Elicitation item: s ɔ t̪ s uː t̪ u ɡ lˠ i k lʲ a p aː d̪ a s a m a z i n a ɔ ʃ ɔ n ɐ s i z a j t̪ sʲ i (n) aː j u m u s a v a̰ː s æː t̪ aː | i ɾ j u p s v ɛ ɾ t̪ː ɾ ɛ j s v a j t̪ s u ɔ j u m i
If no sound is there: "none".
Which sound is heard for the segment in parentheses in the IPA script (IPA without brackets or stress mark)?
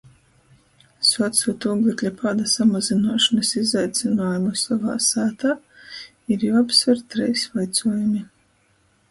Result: n